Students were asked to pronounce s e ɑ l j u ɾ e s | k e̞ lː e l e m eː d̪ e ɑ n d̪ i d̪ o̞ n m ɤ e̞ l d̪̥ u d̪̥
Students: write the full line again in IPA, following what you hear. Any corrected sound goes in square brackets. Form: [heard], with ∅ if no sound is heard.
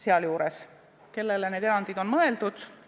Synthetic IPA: s e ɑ l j [uː] ɾ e s | k e̞ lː e l e [n] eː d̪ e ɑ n d̪ i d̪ o̞ n m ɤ e̞ l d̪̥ u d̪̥